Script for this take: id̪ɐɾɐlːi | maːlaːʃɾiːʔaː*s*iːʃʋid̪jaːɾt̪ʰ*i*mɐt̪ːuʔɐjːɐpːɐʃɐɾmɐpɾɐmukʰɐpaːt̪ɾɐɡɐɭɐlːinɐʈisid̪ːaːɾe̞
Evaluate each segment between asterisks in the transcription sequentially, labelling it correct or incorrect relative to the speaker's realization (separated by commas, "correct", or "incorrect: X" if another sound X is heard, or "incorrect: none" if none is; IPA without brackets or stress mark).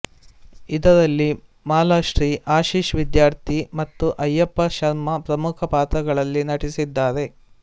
incorrect: ʃ, correct